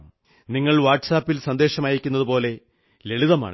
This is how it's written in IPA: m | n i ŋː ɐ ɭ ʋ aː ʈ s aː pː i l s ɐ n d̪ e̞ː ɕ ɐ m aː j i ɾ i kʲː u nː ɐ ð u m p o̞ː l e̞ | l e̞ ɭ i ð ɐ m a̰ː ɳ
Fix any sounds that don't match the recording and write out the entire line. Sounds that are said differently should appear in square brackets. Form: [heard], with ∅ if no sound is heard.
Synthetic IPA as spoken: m | n i ŋː ɐ ɭ ʋ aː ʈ s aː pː i l s ɐ n d̪ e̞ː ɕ ɐ m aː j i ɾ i kʲː u nː ɐ ð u [∅] p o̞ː l e̞ | l e̞ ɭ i ð ɐ m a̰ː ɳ